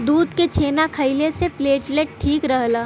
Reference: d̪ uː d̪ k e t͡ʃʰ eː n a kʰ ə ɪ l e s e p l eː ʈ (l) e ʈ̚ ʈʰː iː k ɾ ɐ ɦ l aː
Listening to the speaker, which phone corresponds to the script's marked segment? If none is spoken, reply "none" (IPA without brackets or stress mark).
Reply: l